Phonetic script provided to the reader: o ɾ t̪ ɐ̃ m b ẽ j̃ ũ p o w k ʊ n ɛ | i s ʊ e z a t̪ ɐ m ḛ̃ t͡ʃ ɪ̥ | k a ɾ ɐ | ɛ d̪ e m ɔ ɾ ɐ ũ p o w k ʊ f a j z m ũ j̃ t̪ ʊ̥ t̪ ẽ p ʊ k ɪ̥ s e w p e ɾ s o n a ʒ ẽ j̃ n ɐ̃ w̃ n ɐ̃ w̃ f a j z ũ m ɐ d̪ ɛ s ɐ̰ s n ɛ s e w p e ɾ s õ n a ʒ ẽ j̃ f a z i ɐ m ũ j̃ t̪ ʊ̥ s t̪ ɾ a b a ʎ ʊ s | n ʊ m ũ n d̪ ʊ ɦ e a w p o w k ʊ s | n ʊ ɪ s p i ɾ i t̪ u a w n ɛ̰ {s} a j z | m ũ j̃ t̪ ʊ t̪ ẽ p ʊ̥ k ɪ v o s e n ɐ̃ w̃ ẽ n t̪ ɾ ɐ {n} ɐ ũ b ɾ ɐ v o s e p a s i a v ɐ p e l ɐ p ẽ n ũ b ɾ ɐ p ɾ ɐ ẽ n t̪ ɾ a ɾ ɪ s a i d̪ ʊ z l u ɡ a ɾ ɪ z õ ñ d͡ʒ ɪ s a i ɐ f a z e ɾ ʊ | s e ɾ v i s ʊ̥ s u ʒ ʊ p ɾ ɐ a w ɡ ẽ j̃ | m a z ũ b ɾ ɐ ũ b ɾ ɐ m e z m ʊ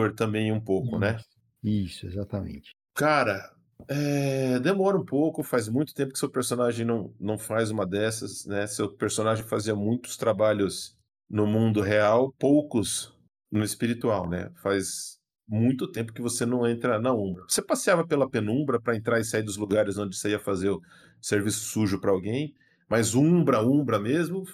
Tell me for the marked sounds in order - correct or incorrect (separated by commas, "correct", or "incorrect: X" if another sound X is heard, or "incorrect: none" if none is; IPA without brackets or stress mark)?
incorrect: f, correct